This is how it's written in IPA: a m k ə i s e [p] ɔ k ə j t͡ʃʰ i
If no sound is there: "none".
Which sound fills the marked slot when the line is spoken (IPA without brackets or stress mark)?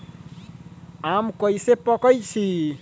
p